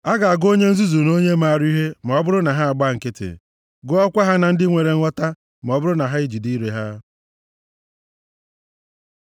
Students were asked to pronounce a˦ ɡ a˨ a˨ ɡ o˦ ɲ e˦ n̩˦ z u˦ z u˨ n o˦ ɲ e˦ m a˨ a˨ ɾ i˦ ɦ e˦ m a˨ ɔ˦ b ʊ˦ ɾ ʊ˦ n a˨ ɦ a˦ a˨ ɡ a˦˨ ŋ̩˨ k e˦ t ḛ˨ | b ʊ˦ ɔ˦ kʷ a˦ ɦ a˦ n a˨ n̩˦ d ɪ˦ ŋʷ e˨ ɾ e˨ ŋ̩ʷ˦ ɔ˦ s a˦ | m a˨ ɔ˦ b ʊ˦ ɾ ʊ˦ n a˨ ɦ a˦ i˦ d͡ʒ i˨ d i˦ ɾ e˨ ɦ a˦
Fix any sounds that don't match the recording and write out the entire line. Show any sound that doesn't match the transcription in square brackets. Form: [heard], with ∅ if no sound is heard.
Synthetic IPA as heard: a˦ ɡ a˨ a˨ ɡ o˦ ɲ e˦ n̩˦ z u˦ z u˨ n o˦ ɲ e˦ m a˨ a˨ ɾ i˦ ɦ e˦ m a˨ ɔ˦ b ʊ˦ ɾ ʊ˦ n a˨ ɦ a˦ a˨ [ɡ͡b] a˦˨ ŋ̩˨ k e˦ t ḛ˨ | [ɡ] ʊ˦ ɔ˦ kʷ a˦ ɦ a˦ n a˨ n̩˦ d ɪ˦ ŋʷ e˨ ɾ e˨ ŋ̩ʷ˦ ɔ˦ [t] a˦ | m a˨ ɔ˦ b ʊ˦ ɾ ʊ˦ n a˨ ɦ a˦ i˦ d͡ʒ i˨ d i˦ ɾ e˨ ɦ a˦